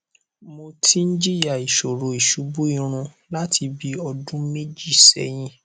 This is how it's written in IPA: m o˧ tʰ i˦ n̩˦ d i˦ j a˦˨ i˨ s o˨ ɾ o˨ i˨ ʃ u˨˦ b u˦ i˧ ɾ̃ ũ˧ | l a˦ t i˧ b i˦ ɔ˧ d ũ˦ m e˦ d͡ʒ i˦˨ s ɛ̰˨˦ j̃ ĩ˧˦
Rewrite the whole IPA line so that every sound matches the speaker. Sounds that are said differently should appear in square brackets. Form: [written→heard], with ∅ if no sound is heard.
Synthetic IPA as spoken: m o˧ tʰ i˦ n̩˦ [d→d͡ʒ] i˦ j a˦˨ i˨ [s→ʃ] o˨ ɾ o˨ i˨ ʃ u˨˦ b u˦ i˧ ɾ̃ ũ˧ | l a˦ t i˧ b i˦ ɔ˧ d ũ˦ m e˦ d͡ʒ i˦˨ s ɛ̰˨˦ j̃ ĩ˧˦